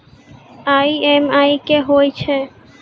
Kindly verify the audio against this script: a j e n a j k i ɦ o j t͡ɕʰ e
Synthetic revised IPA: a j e m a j k e ɦ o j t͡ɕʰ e